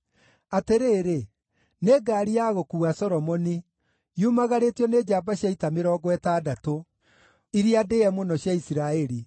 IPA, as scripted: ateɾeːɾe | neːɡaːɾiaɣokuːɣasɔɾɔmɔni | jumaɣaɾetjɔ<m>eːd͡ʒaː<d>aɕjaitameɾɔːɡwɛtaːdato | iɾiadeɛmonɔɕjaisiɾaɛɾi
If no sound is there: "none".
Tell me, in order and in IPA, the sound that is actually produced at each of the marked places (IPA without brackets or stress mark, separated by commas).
n, b